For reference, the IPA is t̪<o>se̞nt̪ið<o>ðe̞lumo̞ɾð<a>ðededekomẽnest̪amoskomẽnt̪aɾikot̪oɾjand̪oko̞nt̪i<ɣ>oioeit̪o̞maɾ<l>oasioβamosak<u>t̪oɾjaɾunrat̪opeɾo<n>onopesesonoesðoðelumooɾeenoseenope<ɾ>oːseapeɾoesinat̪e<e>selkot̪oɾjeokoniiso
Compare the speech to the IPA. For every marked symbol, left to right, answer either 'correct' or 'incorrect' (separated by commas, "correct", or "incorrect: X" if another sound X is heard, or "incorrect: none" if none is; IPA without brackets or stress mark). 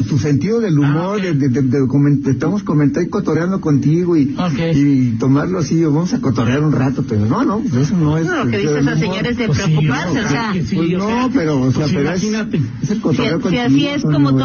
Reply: incorrect: u, correct, incorrect: e, correct, correct, incorrect: o, correct, correct, correct